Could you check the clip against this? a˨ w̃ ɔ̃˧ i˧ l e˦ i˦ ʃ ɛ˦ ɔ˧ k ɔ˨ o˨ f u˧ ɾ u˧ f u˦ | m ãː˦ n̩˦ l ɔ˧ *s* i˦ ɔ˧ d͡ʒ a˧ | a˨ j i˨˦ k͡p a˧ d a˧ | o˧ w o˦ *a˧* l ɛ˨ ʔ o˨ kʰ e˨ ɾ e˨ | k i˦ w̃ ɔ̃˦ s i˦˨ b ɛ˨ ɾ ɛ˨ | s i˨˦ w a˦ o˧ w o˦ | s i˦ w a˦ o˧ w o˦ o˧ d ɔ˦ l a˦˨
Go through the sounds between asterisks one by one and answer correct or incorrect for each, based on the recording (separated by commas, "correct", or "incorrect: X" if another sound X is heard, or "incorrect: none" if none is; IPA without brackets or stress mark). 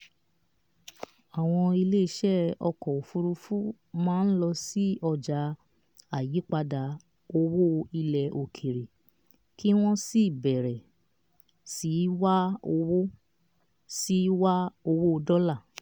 correct, incorrect: i˧